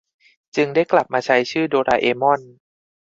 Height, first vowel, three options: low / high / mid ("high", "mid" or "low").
high